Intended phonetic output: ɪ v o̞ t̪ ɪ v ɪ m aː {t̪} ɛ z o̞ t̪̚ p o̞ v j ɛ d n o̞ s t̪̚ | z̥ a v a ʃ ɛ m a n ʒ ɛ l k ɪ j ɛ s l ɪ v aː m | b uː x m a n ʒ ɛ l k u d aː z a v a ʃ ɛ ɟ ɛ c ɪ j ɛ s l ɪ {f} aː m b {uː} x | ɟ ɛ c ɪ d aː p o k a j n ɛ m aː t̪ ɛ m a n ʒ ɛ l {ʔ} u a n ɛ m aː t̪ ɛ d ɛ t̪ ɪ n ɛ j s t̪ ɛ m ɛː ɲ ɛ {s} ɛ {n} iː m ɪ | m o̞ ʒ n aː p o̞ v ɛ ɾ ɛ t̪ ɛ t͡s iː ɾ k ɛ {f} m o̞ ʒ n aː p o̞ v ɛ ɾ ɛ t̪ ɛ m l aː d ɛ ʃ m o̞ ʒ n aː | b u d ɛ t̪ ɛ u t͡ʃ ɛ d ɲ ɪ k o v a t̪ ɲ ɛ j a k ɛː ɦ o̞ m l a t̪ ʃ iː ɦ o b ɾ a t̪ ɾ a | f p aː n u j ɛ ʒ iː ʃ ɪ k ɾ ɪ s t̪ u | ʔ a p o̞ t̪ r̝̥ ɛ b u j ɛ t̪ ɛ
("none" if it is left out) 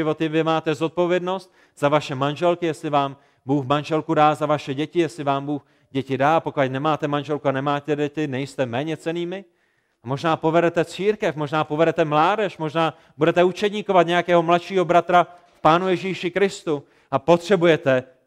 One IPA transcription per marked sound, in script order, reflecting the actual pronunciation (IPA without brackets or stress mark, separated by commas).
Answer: t̪, v, uː, k, t͡s, n, f